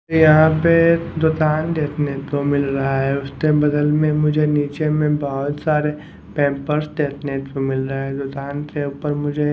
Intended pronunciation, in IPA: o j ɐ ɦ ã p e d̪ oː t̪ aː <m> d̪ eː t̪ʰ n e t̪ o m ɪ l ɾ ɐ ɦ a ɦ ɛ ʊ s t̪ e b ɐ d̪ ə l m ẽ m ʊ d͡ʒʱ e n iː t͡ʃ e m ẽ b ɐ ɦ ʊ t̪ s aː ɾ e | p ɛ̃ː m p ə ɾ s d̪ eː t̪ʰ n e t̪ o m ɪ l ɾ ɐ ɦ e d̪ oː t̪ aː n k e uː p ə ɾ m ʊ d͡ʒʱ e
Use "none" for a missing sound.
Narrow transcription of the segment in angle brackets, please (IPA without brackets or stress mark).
n